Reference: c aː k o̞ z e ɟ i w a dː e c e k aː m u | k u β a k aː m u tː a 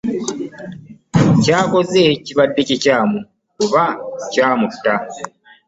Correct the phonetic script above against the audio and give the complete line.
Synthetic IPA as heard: c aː k o̞ z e c i β a dː e c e c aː m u | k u β a c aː m u tː a

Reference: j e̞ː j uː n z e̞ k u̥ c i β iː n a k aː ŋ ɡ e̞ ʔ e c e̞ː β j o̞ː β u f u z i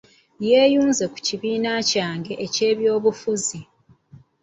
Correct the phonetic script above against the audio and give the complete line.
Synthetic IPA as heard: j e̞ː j uː n z e̞ k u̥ c i β iː n a c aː ŋ ɡ e̞ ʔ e c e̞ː β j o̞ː β u f u z i

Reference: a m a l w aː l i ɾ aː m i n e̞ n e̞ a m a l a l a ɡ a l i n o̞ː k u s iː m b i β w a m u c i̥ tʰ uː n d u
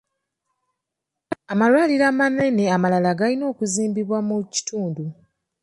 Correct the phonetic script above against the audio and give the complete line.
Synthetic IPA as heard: a m a l w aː l i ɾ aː m a n e̞ n e̞ a m a l a l a ɡ a l i n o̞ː k u z iː m b i β w a m u c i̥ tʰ uː n d u

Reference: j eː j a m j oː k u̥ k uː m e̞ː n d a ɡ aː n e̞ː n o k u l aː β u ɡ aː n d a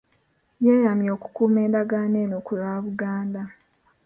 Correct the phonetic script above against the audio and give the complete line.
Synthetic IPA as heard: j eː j a m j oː k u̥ k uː m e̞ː n d a ɡ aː n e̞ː n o k u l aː β u ɡ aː n d a

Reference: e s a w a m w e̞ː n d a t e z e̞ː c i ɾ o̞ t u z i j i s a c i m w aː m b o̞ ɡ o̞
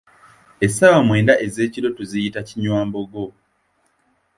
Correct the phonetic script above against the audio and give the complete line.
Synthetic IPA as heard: e s a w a m w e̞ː n d a ʔ e z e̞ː c i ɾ o̞ t u z i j i t a c i ɲ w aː m b o̞ ɡ o̞

